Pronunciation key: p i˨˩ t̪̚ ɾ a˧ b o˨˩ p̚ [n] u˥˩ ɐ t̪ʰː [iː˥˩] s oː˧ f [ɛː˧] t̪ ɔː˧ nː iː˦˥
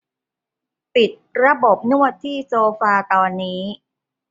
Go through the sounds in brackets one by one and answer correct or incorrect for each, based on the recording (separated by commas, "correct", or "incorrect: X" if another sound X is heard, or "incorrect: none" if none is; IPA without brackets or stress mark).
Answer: correct, correct, incorrect: aː˧